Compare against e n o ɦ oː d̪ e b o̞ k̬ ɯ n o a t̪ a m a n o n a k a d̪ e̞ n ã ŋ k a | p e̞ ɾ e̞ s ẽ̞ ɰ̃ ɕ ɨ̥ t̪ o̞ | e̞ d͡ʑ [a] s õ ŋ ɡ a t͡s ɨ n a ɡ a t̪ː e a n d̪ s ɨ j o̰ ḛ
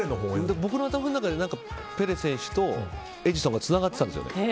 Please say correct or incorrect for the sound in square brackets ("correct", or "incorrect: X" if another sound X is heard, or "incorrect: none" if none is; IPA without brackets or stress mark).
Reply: incorrect: i